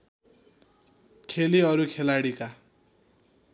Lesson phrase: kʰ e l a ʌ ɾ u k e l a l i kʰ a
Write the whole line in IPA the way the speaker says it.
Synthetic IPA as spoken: kʰ e l i ʌ ɾ u kʰ e l a ɽ i k a